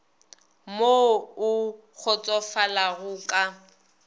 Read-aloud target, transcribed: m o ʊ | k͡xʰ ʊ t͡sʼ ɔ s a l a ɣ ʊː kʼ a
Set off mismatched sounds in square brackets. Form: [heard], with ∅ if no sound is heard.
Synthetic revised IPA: m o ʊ | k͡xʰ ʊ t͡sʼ ɔ [f] a l a ɣ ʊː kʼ a